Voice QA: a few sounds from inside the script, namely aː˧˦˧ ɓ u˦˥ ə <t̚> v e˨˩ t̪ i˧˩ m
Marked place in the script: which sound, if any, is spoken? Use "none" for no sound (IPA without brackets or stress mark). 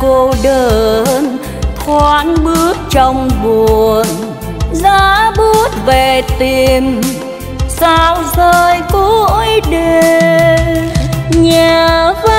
t̚